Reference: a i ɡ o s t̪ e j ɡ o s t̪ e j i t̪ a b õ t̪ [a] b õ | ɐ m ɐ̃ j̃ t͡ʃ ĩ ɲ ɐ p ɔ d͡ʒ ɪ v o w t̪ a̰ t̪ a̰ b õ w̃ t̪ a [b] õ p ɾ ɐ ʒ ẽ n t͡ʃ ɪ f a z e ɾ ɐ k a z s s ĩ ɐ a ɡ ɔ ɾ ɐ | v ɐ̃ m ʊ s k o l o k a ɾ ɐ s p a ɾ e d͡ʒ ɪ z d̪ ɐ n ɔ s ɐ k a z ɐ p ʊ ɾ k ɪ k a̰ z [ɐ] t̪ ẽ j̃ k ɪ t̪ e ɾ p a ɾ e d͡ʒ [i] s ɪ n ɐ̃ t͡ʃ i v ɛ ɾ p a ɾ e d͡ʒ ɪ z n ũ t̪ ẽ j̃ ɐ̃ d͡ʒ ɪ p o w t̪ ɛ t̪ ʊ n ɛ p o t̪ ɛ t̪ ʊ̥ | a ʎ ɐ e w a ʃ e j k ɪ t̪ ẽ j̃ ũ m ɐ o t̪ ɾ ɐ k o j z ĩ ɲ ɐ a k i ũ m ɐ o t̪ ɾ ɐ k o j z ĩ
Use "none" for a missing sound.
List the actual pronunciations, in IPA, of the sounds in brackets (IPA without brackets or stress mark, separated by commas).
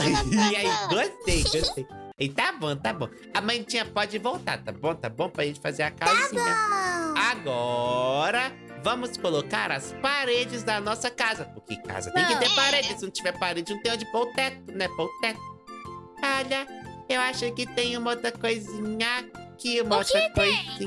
a, b, ɐ, ɪ